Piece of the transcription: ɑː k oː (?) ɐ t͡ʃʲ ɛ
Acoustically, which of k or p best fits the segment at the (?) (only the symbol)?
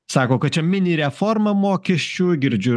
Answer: k